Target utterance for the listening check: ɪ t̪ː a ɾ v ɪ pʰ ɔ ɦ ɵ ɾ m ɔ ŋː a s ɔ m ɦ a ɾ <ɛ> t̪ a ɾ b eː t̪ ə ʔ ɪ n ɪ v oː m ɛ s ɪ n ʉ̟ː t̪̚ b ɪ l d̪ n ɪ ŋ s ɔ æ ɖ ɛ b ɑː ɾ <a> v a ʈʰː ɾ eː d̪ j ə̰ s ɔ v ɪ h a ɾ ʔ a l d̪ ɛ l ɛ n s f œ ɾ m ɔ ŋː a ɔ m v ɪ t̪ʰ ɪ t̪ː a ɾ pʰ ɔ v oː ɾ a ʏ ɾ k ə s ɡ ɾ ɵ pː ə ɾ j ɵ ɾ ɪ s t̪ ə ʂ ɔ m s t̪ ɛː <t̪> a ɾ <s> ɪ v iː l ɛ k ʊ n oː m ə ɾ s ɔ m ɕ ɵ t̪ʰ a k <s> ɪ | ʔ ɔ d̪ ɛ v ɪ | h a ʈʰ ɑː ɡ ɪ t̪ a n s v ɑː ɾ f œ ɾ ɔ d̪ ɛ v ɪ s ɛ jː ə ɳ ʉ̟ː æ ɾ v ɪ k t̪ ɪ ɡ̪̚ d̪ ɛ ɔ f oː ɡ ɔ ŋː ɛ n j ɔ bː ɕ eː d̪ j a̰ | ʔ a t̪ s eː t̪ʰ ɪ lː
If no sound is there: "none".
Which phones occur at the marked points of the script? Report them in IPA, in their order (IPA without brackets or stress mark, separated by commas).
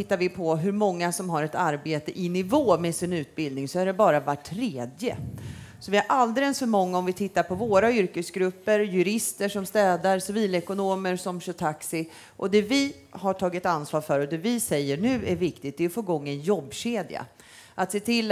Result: ɛ, a, d̪, s, s